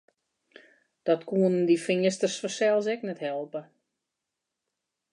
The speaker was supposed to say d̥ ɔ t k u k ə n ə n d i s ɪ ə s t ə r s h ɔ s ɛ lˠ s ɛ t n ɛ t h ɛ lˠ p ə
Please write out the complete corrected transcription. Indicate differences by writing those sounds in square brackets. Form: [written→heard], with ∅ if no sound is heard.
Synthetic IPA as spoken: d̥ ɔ t k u [k→∅] ə n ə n d i [s→f] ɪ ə s t ə r s [h→f] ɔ s ɛ lˠ s ɛ [t→k] n ɛ t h ɛ lˠ p ə

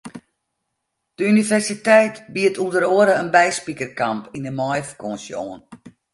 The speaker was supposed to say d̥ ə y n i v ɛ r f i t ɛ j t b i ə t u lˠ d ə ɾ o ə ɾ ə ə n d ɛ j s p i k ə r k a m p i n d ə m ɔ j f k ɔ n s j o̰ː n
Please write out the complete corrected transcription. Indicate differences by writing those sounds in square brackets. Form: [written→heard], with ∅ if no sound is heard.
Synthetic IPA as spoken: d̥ ə y n i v ɛ r [f→s] i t ɛ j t b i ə t u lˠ d ə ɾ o ə ɾ ə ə n [d→b] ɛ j s p i k ə r k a m p i n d ə m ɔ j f k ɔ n s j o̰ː n

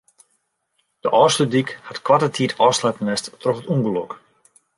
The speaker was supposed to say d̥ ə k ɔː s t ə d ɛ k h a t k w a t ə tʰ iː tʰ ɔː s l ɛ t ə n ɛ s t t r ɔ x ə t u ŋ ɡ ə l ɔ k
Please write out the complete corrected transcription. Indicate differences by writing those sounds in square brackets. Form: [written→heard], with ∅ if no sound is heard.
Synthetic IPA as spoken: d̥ ə [k→ʔ] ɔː s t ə d [ɛ→i] k h a t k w a t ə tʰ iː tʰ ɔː s l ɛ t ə n ɛ s t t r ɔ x ə t u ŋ ɡ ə l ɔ k

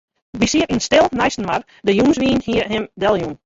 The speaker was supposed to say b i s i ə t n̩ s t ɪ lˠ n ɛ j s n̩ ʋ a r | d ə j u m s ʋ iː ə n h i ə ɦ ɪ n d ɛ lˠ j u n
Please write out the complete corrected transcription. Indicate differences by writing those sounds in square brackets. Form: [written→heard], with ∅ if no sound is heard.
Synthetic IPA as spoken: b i s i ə t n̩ s t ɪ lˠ n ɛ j s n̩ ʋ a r | d ə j u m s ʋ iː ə n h i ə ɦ ɪ [n→m] d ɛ lˠ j u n

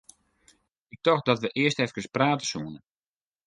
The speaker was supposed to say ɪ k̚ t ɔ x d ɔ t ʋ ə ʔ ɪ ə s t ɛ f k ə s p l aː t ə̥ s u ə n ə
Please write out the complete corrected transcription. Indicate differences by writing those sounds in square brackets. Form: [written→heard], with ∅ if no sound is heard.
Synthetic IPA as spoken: ɪ k̚ t ɔ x d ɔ t ʋ ə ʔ ɪ ə s t ɛ f k ə s p [l→r] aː t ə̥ s u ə n ə

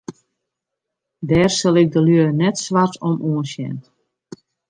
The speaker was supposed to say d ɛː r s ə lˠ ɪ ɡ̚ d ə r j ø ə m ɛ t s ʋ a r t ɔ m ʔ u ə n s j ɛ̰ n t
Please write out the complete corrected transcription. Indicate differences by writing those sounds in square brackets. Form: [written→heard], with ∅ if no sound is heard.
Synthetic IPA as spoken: d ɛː r s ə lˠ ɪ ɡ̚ d ə [r→l] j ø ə [m→n] ɛ t s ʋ a r t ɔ m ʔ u ə n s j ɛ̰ n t

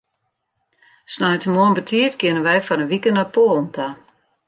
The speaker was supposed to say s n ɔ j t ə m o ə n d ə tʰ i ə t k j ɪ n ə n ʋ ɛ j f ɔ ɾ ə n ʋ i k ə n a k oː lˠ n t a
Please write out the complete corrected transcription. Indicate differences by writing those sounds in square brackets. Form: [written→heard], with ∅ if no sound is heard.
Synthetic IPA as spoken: s n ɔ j t ə m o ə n [d→b] ə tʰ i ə t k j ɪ n ə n ʋ ɛ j f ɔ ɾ ə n ʋ i k ə n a [k→p] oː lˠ n t a

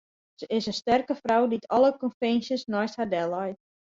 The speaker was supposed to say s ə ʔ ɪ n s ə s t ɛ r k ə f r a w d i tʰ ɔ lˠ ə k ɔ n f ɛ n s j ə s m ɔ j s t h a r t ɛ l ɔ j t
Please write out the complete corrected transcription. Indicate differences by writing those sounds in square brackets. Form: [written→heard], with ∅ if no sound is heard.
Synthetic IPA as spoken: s ə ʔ ɪ [n→∅] s ə s t ɛ r k ə f r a w d i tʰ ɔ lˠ ə k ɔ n f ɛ n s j ə s [m→n] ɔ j s t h a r [t→d] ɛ l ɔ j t

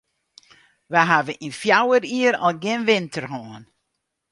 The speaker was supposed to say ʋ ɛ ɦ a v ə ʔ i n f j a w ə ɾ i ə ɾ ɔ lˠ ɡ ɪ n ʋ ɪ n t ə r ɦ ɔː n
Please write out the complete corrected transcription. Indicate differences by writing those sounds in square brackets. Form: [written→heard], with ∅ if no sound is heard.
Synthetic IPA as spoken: ʋ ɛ ɦ a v ə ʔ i n f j a w ə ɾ i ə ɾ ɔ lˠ ɡ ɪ n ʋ ɪ n t ə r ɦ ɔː n

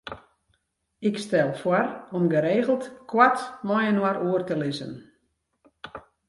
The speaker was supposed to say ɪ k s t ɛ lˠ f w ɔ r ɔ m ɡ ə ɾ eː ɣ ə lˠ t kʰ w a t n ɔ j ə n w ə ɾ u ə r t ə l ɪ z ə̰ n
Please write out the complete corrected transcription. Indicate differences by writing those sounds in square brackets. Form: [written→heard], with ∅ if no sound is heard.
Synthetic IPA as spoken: ɪ k s t ɛ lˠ f w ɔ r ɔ m ɡ ə ɾ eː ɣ ə lˠ t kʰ w a t [n→m] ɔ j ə n w [ə→a] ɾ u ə r t ə l ɪ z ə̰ n

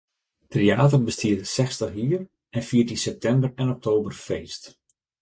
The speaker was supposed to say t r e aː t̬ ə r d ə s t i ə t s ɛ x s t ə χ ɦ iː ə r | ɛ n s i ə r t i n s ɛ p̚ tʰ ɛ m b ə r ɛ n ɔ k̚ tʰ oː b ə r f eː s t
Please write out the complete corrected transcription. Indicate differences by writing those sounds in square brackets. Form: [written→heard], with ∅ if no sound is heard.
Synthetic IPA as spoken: t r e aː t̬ ə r [d→b] ə s t i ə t s ɛ x s t ə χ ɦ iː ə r | ɛ n [s→f] i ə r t i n s ɛ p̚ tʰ ɛ m b ə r ɛ n ɔ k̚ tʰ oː b ə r f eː s t

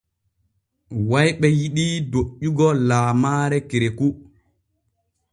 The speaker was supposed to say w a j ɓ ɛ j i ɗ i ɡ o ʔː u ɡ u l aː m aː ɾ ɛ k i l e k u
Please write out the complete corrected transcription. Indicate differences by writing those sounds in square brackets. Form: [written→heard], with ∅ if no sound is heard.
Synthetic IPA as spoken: w a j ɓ ɛ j i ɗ i [ɡ→d] o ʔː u ɡ [u→ɔ] l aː m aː ɾ ɛ k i [l→ɾ] e k u

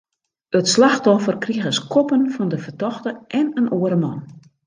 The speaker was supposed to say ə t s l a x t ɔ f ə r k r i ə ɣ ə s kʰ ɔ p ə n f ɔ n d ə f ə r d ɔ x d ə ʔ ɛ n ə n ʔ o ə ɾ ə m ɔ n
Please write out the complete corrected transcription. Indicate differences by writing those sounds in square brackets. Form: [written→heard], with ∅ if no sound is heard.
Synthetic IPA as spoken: ə t s l a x t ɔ f ə r k r i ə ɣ ə s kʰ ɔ p ə n f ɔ n d ə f ə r [d→t] ɔ x [d→t] ə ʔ ɛ n ə n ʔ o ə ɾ ə m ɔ n

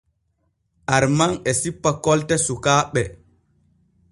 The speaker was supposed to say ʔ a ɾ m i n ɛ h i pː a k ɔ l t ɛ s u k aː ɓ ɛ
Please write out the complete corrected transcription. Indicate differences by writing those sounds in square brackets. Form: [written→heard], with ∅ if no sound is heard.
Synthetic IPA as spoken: ʔ a ɾ m [i→a] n ɛ [h→s] i pː a k ɔ l t ɛ s u k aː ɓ ɛ

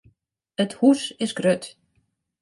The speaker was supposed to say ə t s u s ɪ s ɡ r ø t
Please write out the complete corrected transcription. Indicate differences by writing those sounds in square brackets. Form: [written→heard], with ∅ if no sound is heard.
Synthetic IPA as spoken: ə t [s→h] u s ɪ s ɡ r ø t

